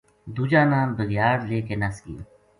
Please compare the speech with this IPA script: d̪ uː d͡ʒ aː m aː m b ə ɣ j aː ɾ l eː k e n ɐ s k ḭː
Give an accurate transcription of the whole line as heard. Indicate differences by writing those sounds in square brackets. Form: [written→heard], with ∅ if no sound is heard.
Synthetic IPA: d̪ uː d͡ʒ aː [m→n] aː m b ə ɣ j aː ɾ l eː k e n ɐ s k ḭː